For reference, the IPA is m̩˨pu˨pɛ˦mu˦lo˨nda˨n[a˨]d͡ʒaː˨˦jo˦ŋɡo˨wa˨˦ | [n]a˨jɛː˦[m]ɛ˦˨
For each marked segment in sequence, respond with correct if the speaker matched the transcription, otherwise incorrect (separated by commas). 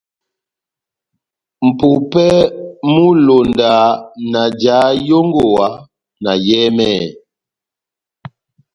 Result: correct, correct, correct